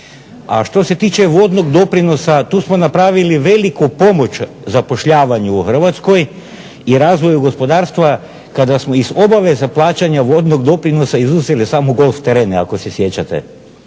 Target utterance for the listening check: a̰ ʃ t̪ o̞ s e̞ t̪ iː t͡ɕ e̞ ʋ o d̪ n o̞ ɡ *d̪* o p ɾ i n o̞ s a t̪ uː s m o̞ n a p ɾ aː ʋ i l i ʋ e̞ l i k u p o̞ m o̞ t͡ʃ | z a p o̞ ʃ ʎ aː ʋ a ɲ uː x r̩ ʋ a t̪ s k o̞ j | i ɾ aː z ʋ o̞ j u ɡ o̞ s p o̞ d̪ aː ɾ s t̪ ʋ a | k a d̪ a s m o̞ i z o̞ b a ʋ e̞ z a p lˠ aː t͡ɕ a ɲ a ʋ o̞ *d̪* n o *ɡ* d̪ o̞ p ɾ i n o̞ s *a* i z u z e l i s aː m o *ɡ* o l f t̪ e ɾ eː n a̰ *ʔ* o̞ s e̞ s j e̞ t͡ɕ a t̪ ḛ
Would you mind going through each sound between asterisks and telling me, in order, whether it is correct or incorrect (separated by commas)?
correct, correct, correct, correct, correct, incorrect